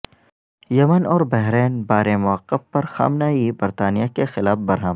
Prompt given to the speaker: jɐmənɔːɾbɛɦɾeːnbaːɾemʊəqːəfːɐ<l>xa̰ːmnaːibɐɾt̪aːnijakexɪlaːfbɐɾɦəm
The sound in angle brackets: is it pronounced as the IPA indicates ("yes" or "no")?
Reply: no